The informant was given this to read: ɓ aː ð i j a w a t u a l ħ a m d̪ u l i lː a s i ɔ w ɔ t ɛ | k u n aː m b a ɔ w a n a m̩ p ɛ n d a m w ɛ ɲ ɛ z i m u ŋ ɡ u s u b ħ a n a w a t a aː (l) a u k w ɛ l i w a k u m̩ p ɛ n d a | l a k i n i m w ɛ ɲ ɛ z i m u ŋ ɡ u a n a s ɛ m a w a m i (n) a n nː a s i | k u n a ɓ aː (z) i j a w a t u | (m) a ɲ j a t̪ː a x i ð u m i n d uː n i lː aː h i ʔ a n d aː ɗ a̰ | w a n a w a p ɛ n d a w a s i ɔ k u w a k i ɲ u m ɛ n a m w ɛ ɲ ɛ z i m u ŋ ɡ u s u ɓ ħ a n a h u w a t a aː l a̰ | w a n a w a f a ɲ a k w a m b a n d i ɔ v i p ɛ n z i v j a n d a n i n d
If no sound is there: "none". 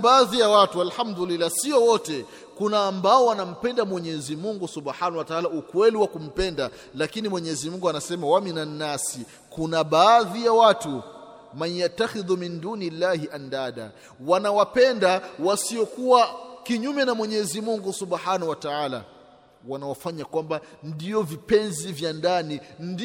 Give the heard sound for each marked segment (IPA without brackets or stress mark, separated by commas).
l, n, ð, m